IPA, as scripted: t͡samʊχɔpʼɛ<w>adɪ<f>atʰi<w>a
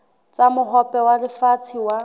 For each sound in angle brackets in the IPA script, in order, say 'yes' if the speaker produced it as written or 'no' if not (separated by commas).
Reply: yes, yes, yes